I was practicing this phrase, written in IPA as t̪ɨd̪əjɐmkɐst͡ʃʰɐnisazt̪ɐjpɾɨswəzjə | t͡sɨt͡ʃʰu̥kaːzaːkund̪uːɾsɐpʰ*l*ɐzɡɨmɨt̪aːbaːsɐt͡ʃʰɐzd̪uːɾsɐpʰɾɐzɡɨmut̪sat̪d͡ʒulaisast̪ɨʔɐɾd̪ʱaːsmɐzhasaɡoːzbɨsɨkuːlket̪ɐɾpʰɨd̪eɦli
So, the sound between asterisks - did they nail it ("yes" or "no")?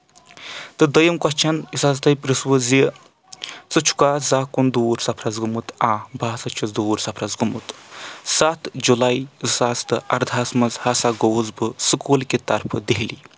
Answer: no